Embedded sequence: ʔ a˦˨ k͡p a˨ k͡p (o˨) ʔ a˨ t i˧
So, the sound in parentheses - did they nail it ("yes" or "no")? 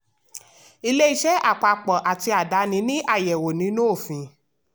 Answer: no